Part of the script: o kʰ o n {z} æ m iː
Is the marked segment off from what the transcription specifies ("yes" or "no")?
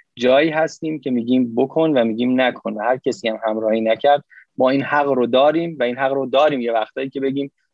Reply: yes